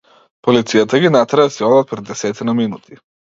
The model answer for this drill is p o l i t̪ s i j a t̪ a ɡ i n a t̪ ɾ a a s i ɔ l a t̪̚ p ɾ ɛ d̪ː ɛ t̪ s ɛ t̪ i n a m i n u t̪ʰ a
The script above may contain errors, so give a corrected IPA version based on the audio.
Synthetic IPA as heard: p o l i t̪ s i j a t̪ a ɡ i n a t̪ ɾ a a s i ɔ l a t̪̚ p ɾ ɛ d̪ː ɛ s ɛ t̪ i n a m i n u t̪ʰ i